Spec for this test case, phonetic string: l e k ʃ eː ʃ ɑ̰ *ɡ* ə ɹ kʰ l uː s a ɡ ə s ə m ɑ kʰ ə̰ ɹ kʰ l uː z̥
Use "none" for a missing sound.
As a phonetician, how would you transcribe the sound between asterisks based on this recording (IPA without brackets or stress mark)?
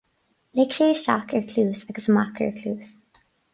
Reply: k